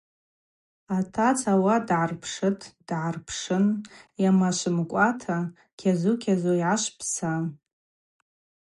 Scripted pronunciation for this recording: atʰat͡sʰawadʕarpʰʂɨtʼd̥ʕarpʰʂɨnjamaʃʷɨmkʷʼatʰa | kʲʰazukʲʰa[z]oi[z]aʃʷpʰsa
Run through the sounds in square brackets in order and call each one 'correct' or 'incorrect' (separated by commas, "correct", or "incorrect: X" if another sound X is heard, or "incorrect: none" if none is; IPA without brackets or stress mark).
correct, incorrect: ʕ